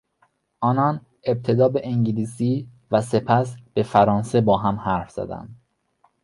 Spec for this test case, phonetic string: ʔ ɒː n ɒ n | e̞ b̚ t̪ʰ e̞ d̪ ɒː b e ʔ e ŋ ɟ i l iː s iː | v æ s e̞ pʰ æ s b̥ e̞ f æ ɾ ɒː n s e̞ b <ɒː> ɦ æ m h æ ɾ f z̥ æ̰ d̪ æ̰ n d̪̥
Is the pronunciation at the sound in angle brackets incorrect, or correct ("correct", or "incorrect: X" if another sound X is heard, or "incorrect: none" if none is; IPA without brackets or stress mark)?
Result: correct